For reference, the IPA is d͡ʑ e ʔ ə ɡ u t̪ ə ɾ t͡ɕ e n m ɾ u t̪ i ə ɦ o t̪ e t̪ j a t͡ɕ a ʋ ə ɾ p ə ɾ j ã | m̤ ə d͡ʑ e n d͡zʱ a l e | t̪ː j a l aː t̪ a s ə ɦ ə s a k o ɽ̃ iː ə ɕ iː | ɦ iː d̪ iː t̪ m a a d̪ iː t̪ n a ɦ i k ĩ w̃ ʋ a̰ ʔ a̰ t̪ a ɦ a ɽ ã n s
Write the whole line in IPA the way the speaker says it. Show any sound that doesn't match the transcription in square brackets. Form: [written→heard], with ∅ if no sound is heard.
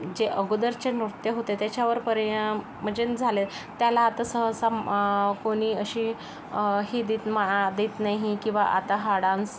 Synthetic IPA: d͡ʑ e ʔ ə ɡ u [t̪→d̪] ə ɾ t͡ɕ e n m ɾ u t̪ [i→j] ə ɦ o t̪ e t̪ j a t͡ɕ a ʋ ə ɾ p ə ɾ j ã | m̤ ə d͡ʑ e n d͡zʱ a l e | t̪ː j a l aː t̪ a s ə ɦ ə s a k o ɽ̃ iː ə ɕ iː | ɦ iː d̪ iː t̪ m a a d̪ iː t̪ n a ɦ i k ĩ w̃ ʋ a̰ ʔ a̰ t̪ a ɦ a ɽ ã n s